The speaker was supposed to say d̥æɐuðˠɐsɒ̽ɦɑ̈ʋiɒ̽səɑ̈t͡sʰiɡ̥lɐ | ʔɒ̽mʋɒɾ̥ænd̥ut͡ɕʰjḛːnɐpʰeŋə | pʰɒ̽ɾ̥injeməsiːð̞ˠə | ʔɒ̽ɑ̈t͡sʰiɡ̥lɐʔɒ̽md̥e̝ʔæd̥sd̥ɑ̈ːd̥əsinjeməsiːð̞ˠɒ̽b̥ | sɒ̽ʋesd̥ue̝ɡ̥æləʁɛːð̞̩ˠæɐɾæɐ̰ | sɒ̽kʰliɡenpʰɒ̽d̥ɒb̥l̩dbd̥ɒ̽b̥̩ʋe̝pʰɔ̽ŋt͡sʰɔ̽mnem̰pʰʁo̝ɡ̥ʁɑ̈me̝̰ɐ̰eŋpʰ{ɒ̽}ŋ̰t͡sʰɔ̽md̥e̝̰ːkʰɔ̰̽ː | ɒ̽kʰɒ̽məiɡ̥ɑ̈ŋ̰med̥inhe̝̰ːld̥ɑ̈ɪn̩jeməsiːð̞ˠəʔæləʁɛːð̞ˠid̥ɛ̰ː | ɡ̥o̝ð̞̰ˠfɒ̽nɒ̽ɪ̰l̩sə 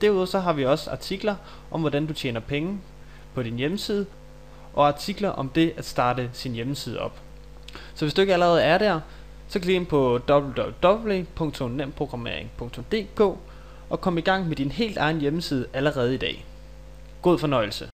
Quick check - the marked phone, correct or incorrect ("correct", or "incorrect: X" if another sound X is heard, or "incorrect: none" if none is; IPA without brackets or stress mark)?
incorrect: ɔ̽